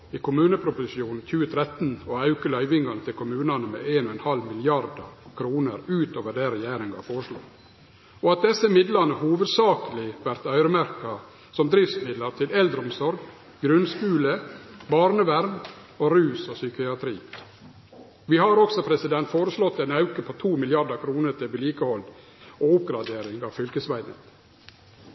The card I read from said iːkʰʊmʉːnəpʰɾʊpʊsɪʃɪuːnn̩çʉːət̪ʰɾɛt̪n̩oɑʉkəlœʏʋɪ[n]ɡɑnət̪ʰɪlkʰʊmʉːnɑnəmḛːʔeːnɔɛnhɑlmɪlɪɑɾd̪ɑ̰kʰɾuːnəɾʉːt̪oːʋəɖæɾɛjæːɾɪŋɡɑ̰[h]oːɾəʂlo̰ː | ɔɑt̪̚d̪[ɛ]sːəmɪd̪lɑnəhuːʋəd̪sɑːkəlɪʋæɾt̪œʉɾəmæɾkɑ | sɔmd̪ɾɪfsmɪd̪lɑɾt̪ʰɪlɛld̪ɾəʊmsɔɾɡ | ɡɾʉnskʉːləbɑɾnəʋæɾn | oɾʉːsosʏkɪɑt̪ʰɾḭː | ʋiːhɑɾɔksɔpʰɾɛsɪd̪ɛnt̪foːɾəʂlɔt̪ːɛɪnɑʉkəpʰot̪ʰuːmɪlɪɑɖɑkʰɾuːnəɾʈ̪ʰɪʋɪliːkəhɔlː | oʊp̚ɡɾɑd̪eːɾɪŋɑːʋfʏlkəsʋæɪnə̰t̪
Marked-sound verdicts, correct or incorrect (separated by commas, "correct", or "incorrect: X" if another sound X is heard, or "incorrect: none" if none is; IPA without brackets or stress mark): incorrect: ŋ, incorrect: f, correct